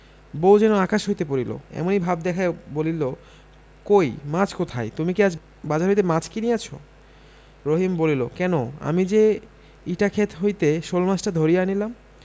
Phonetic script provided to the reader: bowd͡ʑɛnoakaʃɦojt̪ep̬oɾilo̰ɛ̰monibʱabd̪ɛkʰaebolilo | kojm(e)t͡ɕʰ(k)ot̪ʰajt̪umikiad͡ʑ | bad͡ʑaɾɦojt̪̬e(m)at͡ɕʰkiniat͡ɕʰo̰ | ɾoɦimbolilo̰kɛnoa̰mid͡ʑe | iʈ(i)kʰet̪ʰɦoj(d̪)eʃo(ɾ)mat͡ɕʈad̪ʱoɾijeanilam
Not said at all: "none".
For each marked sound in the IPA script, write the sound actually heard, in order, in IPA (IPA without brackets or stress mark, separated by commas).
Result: a, k, m, a, t̪, l